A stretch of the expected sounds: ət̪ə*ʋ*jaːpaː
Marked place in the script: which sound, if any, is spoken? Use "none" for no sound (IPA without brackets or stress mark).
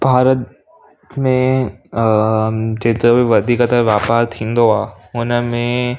ʋ